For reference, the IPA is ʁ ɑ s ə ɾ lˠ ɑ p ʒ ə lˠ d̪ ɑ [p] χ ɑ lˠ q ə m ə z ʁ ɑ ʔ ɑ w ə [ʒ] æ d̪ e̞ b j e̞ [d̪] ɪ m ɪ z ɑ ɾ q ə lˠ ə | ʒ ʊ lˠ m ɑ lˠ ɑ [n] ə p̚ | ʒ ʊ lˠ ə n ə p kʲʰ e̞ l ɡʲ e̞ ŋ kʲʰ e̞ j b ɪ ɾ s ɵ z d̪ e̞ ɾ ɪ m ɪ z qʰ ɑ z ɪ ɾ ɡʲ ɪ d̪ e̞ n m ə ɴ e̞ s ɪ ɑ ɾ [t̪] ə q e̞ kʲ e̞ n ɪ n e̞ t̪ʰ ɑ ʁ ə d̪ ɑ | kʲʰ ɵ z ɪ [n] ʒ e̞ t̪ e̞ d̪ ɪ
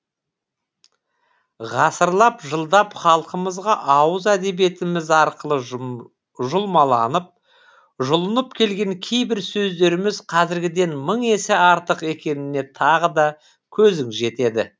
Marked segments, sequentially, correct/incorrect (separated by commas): correct, incorrect, incorrect, correct, correct, incorrect